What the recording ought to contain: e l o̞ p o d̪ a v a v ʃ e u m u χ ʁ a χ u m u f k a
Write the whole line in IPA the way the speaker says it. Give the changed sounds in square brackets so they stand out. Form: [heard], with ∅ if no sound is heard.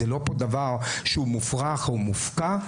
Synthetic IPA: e l o̞ p o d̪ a v a [ʁ] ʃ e u m u [f] ʁ a χ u m u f k a